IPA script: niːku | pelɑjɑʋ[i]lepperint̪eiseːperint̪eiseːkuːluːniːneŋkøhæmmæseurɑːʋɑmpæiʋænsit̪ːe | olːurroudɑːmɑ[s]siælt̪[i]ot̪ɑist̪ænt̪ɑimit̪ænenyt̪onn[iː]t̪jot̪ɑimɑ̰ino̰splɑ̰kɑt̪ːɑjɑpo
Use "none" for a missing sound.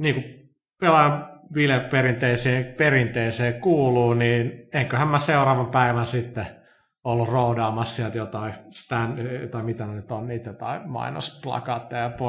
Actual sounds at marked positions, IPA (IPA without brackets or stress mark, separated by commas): i, s, j, iː